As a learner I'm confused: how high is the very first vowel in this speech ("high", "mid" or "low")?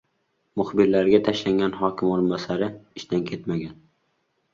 high